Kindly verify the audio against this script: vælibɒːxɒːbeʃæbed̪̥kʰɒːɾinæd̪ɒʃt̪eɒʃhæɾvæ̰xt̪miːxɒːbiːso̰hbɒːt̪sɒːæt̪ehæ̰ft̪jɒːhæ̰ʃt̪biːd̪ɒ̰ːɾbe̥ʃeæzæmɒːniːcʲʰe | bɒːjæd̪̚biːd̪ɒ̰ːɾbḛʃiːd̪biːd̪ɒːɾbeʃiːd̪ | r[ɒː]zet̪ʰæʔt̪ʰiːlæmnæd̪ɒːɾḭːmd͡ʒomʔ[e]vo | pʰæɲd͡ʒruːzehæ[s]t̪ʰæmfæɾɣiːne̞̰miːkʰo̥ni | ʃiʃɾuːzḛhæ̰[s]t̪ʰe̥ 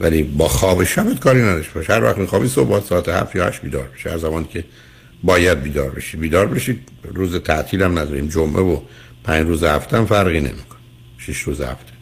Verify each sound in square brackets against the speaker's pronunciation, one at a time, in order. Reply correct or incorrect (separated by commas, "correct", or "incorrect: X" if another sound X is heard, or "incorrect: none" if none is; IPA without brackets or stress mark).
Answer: incorrect: uː, correct, incorrect: f, incorrect: f